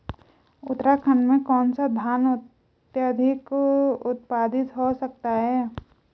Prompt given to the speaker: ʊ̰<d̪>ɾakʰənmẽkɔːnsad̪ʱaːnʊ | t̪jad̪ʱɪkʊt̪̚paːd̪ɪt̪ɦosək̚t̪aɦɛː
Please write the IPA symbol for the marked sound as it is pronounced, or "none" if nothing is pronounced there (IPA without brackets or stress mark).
t̪